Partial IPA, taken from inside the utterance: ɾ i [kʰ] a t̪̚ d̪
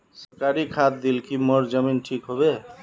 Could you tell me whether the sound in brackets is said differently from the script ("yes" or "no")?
no